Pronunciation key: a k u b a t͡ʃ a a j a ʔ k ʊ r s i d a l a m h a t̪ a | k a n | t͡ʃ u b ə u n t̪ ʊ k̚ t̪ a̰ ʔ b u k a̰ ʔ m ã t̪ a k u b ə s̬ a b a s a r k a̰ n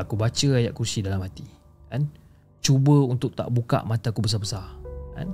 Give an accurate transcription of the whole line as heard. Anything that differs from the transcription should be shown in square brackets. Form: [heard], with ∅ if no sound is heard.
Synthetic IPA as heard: a k u b a t͡ʃ [ə] a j a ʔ k [u] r s i d a l a m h a t̪ [i] | k a n | t͡ʃ u b ə u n t̪ ʊ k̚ t̪ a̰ ʔ b u k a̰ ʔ m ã t̪ a k u b ə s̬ a b [ə] s a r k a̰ n